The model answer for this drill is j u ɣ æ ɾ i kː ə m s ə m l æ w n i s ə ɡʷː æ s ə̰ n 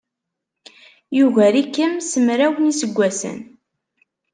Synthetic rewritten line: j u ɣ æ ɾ i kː ə m s ə m ɾ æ w n i s ə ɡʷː æ s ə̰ n

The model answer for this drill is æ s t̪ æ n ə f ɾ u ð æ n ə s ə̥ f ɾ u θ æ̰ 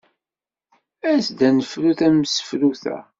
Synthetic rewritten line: æ s d̪ æ n ə f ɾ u θ æ m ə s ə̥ f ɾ u θ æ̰

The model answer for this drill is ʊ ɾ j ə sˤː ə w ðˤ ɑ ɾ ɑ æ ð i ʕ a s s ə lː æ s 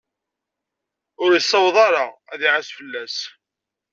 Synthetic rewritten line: ʊ ɾ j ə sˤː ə w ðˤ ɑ ɾ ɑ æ ð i ʕ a s f ə lː æ s

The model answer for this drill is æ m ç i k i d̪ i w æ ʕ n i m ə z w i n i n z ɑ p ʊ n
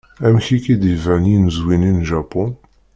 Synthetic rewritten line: æ m ç i k i d̪ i v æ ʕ n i n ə z w i n i n ʒ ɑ p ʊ n

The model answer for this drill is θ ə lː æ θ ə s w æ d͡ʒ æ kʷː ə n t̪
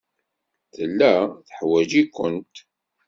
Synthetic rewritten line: θ ə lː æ θ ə ħ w æ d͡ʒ i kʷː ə n t̪

